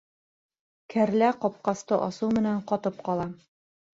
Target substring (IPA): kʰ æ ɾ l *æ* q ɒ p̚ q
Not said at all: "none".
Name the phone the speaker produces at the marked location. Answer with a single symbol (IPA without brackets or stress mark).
æ